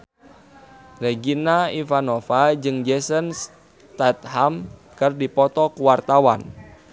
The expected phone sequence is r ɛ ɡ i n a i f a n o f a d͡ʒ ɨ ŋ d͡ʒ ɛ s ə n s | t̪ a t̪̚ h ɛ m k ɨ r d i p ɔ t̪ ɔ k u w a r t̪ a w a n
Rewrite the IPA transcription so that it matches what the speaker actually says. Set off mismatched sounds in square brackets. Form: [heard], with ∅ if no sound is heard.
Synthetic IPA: r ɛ ɡ i n a i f a n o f a d͡ʒ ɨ ŋ d͡ʒ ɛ s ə n s | t̪ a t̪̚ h [a] m k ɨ r d i p ɔ t̪ ɔ k u w a r t̪ a w a n